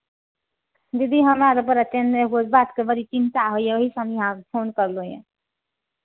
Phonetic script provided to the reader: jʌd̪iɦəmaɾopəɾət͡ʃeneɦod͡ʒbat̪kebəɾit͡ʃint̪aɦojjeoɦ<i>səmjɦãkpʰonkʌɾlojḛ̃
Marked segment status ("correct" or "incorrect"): correct